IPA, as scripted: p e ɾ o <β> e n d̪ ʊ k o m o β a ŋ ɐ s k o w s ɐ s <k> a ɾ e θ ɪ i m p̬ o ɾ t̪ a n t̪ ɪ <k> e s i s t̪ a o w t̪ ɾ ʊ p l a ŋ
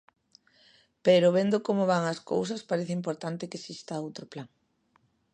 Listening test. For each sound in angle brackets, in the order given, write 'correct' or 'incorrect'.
correct, incorrect: p, correct

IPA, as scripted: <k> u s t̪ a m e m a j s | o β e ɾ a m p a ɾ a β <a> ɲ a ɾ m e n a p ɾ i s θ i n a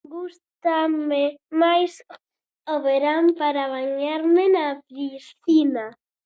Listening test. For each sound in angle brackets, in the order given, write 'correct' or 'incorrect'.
incorrect: ɡ, correct

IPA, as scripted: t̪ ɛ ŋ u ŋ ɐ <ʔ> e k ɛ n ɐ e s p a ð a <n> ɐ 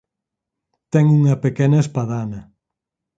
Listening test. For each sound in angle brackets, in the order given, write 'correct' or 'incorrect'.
incorrect: p, correct

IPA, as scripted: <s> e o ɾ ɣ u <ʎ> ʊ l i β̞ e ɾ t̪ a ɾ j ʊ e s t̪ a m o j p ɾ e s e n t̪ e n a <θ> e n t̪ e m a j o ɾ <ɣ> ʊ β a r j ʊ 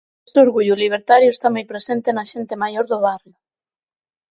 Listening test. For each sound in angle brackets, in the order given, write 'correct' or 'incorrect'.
correct, correct, incorrect: ʃ, incorrect: ð

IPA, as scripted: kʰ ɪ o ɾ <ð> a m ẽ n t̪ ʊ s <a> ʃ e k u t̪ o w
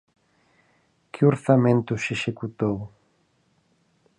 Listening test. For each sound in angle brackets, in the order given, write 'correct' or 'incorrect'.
incorrect: θ, incorrect: e

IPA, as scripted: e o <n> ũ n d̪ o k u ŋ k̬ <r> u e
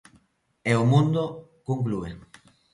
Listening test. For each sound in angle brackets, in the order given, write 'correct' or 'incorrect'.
incorrect: m, incorrect: l

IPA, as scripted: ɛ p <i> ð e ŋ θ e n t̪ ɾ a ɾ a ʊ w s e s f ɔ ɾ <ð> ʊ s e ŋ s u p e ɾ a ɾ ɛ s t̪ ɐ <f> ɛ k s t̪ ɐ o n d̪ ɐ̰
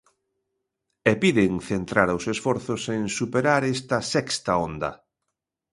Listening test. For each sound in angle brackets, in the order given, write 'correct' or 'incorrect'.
correct, incorrect: θ, incorrect: s

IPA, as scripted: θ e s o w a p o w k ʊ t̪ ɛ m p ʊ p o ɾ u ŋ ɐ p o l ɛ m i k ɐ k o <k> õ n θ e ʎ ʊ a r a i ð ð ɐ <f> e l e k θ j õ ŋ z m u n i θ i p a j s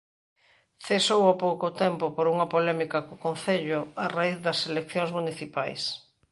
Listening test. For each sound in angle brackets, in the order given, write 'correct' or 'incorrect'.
correct, incorrect: s

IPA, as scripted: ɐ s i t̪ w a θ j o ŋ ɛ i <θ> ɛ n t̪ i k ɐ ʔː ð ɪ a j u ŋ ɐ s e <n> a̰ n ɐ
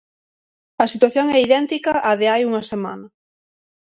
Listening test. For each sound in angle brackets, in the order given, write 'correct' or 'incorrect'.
incorrect: ð, incorrect: m

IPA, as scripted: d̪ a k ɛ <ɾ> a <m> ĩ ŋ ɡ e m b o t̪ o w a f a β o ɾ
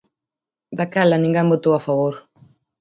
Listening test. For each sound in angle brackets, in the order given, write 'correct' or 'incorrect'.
incorrect: l, incorrect: n

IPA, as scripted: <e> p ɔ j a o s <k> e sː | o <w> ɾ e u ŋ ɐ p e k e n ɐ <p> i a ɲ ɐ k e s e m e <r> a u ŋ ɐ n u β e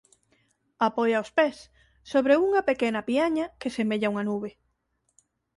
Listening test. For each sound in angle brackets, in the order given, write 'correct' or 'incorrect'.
incorrect: a, incorrect: p, incorrect: β, correct, incorrect: ʎ

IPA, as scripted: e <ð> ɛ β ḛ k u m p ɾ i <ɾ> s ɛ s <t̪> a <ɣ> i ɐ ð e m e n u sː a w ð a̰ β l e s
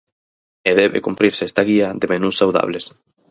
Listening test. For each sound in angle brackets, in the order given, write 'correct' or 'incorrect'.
correct, correct, correct, correct

